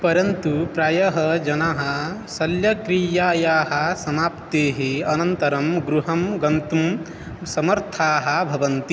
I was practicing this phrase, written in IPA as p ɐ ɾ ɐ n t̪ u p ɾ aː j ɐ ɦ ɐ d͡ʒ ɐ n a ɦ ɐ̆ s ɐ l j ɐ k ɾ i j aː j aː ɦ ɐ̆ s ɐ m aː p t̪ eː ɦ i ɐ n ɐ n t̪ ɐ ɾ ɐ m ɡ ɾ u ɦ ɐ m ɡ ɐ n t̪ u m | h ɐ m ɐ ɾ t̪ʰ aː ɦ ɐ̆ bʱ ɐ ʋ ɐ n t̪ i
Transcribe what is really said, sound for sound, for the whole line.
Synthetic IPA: p ɐ ɾ ɐ n t̪ u p ɾ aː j ɐ ɦ ɐ d͡ʒ ɐ n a ɦ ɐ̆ s ɐ l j ɐ k ɾ i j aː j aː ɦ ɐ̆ s ɐ m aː p t̪ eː ɦ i ɐ n ɐ n t̪ ɐ ɾ ɐ m ɡ ɾ u ɦ ɐ m ɡ ɐ n t̪ u m | s ɐ m ɐ ɾ t̪ʰ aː ɦ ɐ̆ bʱ ɐ ʋ ɐ n t̪ i